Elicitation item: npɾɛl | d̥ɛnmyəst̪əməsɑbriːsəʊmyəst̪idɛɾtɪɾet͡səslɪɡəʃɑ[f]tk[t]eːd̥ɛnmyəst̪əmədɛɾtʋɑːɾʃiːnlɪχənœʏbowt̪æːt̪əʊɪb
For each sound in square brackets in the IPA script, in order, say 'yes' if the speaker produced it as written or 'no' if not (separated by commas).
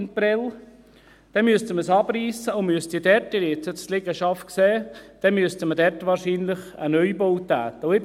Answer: yes, no